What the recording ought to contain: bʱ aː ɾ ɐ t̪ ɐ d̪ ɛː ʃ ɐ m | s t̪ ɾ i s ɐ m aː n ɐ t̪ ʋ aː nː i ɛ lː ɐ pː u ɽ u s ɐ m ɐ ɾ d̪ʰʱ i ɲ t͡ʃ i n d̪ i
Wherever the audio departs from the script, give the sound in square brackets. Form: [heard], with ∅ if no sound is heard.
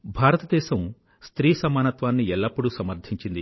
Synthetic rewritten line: bʱ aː ɾ ɐ t̪ ɐ d̪ ɛː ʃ ɐ m | s t̪ ɾ [iː] s ɐ m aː n ɐ t̪ ʋ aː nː i ɛ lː ɐ pː u ɽ u s ɐ m ɐ ɾ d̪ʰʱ i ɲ t͡ʃ i n d̪ i

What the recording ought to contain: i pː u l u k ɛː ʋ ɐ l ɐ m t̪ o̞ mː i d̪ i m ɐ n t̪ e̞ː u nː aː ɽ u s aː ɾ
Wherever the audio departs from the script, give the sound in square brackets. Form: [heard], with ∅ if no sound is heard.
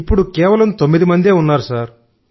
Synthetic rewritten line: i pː u [ɽ] u k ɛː ʋ ɐ l ɐ m t̪ o̞ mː i d̪ i m ɐ n [d̪] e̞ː u nː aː [ɾ] u s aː ɾ

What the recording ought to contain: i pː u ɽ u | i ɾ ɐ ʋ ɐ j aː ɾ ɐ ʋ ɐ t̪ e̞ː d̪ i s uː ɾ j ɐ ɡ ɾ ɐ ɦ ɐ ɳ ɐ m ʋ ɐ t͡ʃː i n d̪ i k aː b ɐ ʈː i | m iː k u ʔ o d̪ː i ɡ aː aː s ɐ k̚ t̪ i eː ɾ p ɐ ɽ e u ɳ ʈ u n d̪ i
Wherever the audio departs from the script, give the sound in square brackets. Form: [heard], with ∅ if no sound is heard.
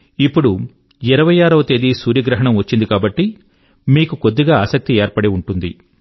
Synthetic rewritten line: i pː u ɽ u | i ɾ ɐ ʋ ɐ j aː ɾ ɐ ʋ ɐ t̪ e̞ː d̪ i s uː ɾ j ɐ ɡ ɾ ɐ ɦ ɐ ɳ ɐ m ʋ ɐ t͡ʃː i n d̪ i k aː b ɐ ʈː i | m iː k u [k] o d̪ː i ɡ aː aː s ɐ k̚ t̪ i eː ɾ p ɐ ɽ e u ɳ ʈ u n d̪ i

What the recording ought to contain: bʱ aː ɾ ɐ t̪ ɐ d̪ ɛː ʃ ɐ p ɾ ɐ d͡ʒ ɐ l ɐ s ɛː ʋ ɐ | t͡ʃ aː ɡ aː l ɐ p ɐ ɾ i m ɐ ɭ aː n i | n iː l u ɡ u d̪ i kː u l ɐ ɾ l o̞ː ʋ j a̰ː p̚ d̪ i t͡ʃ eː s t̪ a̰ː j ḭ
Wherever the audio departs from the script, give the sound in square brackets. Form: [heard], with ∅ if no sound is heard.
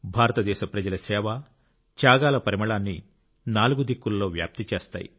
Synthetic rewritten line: bʱ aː ɾ ɐ t̪ ɐ d̪ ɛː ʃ ɐ p ɾ ɐ d͡ʒ ɐ l ɐ s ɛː ʋ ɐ | t͡ʃ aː ɡ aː l ɐ p ɐ ɾ i m ɐ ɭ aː [nː] i | n [aː] l u ɡ u d̪ i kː u l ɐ [∅] l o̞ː ʋ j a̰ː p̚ [t̪] i t͡ʃ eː s t̪ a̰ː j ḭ

